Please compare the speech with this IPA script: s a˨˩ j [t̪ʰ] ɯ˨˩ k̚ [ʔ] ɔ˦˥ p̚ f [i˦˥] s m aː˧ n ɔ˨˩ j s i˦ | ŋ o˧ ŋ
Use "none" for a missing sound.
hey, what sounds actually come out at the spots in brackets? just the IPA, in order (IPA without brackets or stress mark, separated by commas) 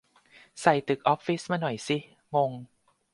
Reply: t̪, ʔ, i˦˥